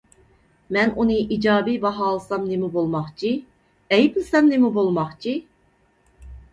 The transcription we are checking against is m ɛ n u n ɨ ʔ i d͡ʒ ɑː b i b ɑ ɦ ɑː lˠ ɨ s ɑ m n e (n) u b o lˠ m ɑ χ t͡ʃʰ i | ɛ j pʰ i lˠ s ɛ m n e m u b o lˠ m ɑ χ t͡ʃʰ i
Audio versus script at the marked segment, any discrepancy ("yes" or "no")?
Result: yes